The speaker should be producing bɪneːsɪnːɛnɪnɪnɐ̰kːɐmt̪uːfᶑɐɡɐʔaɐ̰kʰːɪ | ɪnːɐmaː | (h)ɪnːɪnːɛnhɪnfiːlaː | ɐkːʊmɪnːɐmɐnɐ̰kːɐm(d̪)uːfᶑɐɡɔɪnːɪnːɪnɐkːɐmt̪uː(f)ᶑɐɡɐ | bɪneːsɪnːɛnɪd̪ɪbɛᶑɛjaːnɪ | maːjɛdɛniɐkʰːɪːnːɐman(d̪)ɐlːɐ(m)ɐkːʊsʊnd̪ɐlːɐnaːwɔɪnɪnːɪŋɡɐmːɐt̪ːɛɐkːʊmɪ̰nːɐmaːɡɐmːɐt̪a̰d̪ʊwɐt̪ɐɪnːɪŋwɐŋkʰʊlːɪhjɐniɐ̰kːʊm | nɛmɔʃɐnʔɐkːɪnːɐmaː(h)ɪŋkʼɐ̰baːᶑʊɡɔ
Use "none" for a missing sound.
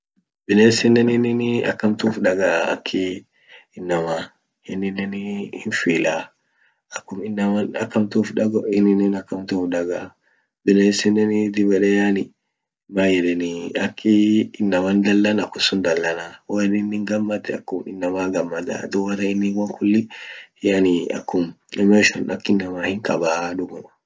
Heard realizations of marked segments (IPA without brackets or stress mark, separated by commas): h, t̪, f, d̪, n, h